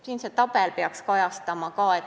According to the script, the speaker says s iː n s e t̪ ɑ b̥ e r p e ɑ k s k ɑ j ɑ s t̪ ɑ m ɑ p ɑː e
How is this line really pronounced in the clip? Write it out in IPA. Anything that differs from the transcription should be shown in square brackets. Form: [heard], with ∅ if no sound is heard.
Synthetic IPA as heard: s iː n s e t̪ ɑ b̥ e [l] p e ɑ k s k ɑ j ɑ s t̪ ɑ m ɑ [k] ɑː e